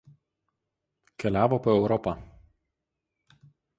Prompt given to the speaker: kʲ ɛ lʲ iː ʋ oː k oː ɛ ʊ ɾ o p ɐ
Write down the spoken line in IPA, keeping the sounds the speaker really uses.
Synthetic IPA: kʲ ɛ lʲ æː ʋ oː p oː ɛ ʊ ɾ ɔ p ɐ